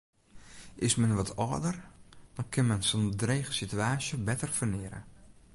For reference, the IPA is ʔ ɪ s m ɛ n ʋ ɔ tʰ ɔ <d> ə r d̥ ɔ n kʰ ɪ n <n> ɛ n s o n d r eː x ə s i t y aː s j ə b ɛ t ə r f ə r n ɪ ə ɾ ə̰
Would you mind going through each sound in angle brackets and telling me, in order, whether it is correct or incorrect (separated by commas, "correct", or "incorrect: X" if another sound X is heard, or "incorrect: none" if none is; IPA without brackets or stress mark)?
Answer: correct, incorrect: m